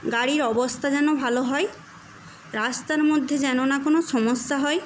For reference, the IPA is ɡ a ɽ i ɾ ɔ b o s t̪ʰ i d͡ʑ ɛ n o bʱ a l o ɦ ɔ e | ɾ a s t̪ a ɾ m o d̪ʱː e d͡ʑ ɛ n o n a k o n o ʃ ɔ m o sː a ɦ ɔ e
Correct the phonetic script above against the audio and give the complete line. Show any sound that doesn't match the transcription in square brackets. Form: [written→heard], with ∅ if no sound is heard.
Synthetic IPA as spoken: ɡ a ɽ i ɾ ɔ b o s t̪ʰ [i→a] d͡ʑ ɛ n o bʱ a l o ɦ ɔ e | ɾ a s t̪ a ɾ m o d̪ʱː e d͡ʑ ɛ n o n a k o n o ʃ ɔ m o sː a ɦ ɔ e